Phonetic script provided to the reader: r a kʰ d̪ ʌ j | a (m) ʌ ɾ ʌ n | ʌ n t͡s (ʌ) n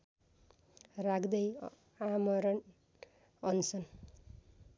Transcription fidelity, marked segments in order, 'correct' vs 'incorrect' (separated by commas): correct, correct